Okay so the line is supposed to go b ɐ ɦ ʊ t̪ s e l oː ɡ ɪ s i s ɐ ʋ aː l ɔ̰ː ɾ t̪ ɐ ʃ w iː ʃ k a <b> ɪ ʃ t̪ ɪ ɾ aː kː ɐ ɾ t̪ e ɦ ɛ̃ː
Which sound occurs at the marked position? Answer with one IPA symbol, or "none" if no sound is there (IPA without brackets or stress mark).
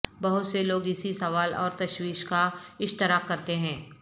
none